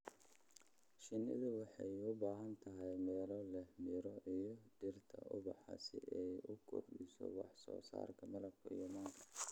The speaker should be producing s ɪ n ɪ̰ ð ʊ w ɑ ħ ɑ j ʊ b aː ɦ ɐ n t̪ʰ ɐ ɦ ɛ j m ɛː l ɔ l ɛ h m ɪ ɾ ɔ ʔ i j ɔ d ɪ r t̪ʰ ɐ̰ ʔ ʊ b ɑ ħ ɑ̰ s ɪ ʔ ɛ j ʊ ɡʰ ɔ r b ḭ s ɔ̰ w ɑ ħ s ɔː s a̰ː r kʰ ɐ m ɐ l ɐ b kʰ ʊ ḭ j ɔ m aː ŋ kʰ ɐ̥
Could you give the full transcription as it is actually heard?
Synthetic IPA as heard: ʃ ɪ n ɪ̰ ð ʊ w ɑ ħ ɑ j ʊ b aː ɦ ɐ n t̪ʰ ɐ ɦ ɛ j m ɛː l ɔ l ɛ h m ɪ ɾ ɔ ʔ i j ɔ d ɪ r t̪ʰ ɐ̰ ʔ ʊ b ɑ ħ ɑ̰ s ɪ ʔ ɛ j ʊ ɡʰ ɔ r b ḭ s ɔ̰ w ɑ ħ s ɔː s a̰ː r kʰ ɐ m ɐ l ɐ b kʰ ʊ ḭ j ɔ m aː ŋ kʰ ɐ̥